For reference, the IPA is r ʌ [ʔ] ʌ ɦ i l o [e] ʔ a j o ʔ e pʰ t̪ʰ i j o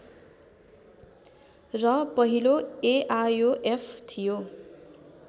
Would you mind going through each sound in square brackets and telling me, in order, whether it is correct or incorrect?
incorrect: p, correct

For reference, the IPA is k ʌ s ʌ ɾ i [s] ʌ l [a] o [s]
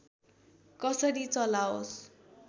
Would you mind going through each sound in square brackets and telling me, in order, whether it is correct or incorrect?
incorrect: t͡s, correct, correct

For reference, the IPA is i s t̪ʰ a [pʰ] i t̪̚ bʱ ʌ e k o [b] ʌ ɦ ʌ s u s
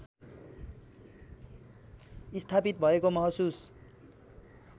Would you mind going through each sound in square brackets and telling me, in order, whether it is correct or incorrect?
incorrect: p, incorrect: m

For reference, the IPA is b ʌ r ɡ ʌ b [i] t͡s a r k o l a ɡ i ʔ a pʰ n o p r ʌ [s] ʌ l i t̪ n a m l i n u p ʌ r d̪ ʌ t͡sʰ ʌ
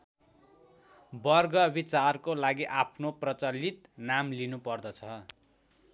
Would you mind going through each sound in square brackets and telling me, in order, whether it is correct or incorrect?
correct, incorrect: t͡s

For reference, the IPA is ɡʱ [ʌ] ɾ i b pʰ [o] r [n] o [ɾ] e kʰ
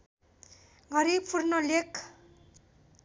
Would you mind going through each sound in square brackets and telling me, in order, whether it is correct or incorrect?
correct, incorrect: u, correct, incorrect: l

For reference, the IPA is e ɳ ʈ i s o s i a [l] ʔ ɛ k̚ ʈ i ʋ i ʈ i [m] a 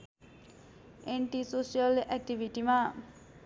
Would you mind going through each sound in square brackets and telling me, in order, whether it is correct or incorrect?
correct, correct

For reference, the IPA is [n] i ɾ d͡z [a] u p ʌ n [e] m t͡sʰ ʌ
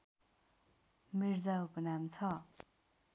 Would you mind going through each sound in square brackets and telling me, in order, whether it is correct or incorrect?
incorrect: m, correct, incorrect: a

